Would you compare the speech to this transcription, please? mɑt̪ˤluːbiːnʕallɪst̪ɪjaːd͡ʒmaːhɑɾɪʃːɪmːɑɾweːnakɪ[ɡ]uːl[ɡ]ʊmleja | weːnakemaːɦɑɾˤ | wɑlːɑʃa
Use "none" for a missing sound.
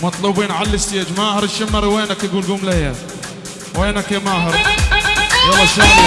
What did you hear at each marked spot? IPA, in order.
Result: ɡ, ɡ

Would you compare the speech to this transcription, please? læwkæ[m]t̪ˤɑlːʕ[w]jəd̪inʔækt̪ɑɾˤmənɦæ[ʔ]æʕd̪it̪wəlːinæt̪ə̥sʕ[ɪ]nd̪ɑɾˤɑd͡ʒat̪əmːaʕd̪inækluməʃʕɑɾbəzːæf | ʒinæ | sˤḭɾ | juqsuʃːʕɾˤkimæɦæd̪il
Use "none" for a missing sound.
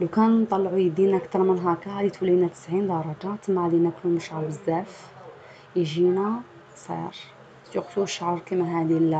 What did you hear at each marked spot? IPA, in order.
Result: n, u, k, i

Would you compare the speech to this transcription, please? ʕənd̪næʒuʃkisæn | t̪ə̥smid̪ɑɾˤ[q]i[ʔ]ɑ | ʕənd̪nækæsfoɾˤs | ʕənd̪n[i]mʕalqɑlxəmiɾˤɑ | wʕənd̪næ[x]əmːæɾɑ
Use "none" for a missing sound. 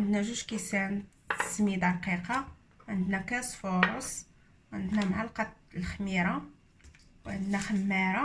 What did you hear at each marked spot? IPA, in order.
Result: q, q, æ, x

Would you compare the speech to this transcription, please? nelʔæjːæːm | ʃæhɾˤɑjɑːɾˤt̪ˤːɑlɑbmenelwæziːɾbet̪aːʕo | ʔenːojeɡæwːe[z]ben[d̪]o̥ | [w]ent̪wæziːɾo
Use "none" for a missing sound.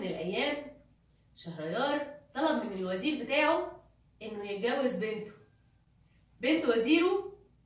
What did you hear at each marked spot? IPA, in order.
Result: z, t̪, b

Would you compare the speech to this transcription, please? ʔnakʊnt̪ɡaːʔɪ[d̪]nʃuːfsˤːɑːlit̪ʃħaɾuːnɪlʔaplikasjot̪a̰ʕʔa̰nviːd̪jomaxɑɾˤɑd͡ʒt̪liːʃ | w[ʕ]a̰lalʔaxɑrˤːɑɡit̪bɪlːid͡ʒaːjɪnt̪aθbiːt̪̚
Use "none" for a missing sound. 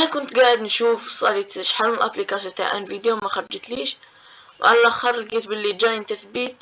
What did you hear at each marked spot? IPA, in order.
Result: d̪, ʕ

